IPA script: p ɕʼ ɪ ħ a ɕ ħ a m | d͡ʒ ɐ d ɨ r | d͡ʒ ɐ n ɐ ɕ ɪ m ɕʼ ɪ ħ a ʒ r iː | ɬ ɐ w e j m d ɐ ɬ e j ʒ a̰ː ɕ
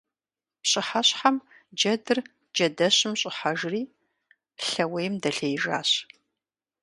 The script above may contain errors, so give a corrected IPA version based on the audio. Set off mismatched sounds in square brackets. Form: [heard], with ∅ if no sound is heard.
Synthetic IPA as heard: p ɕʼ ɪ ħ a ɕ ħ a m | d͡ʒ ɐ d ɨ r | d͡ʒ ɐ [d] ɐ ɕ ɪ m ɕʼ ɪ ħ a ʒ r iː | ɬ ɐ w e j m d ɐ ɬ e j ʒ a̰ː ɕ